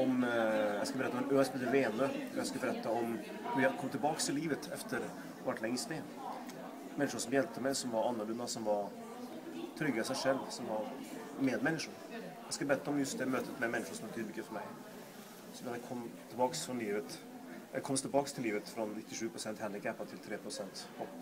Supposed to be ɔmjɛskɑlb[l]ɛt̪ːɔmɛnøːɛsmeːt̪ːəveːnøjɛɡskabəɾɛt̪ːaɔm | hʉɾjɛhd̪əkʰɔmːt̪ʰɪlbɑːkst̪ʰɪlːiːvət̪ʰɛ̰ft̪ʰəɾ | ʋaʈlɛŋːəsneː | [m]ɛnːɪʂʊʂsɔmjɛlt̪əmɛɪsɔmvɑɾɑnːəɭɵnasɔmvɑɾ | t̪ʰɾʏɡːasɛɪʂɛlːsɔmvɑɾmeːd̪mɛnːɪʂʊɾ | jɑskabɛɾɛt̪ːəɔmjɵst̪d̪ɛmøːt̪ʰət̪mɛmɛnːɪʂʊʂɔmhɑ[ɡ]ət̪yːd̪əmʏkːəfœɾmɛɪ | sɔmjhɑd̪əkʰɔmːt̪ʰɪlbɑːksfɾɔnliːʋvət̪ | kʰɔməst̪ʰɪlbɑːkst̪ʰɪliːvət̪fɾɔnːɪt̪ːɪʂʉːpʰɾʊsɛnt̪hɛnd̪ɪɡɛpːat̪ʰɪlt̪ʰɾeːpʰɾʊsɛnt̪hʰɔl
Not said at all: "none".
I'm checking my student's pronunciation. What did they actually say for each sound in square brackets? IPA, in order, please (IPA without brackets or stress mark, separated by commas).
ɾ, m, b